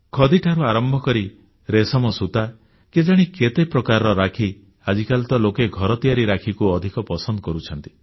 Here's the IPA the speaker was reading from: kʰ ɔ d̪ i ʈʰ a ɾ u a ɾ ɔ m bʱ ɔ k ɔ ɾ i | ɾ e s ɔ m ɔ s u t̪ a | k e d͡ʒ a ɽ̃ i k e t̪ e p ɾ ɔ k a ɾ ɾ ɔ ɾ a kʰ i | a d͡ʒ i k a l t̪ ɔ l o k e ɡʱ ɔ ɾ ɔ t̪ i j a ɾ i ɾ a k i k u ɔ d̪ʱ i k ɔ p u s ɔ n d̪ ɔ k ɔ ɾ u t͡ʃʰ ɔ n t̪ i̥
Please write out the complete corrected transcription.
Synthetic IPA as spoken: kʰ ɔ d̪ i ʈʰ a ɾ u a ɾ ɔ m bʱ ɔ k ɔ ɾ i | ɾ e s ɔ m ɔ s u t̪ a | k e d͡ʒ a ɽ̃ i k e t̪ e p ɾ ɔ k a ɾ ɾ ɔ ɾ a kʰ i | a d͡ʒ i k a l t̪ ɔ l o k e ɡʱ ɔ ɾ ɔ t̪ i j a ɾ i ɾ a kʰ i k u ɔ d̪ʱ i k ɔ p ɔ s ɔ n d̪ ɔ k ɔ ɾ u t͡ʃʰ ɔ n t̪ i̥